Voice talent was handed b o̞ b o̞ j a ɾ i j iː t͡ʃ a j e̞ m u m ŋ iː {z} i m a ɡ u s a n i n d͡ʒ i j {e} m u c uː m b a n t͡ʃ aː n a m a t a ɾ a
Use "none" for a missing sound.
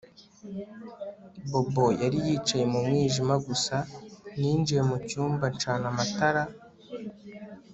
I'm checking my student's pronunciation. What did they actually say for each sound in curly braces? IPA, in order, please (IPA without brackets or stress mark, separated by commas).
ʒ, e